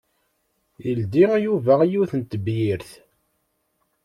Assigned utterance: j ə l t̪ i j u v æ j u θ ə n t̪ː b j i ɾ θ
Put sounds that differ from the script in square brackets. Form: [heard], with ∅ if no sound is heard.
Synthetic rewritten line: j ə l [d̪] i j u v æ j u θ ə n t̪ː b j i ɾ θ